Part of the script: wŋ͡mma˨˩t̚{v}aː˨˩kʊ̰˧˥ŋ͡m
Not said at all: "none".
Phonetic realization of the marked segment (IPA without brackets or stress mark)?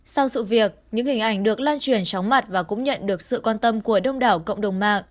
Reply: v